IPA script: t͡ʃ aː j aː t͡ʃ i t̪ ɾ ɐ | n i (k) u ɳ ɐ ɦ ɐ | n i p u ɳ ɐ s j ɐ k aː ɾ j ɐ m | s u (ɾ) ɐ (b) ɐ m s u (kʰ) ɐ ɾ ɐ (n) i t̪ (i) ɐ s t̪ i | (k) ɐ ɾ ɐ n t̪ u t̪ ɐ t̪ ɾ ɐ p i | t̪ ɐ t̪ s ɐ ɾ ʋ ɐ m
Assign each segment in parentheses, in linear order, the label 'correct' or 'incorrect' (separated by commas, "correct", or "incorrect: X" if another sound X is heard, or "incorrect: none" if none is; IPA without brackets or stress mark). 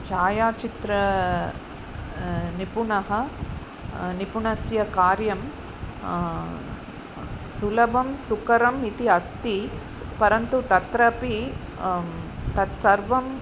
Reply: incorrect: p, incorrect: l, correct, incorrect: k, incorrect: m, correct, incorrect: p